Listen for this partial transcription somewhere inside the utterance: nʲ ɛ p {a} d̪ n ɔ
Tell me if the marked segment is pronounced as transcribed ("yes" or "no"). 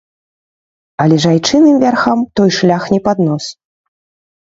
yes